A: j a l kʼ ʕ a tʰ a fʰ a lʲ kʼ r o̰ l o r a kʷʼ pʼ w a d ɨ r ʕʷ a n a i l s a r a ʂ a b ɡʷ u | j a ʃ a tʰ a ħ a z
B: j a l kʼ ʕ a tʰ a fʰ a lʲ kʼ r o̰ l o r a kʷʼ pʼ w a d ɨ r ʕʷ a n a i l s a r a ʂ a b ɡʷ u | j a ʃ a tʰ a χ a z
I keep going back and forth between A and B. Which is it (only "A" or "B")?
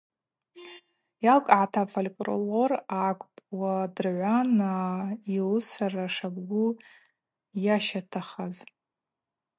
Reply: B